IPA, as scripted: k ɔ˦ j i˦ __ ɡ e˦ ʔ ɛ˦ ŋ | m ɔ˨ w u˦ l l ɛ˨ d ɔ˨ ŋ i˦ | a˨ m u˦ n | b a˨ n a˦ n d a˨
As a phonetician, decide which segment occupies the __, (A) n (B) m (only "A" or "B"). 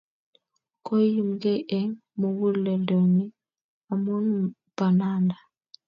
B